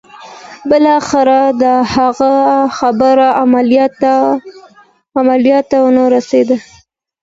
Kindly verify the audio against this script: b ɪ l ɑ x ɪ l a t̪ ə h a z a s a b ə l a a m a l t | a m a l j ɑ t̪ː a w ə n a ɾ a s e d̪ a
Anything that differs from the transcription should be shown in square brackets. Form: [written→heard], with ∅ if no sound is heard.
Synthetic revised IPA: b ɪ l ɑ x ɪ [l→ɾ] a [t̪→d̪] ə h a [z→ɣ] a [s→x] a b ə [l→ɾ] a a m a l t | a m a l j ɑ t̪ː a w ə n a ɾ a s e d̪ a